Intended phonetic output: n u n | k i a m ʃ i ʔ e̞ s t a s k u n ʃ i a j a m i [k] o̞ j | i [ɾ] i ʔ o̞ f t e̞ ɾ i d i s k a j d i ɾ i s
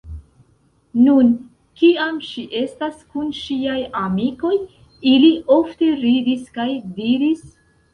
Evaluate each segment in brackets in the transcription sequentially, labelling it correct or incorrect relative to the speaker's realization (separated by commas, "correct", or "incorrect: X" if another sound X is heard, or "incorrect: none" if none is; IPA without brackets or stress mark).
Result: correct, incorrect: l